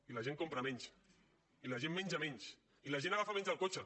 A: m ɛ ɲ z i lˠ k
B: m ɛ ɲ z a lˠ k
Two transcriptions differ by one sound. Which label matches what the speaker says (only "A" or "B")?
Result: B